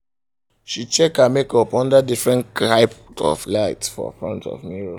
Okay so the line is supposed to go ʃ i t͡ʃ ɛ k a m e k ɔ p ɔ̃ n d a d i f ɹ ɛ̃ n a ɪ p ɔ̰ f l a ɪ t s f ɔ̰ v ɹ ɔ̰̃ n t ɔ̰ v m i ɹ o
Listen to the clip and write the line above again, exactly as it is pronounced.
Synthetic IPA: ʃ i t͡ʃ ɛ k a m e k ɔ p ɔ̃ n d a d i f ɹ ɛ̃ n a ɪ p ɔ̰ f l a ɪ t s f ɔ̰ f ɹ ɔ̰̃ n t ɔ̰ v m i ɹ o